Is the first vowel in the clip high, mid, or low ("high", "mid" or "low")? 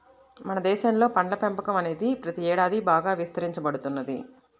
low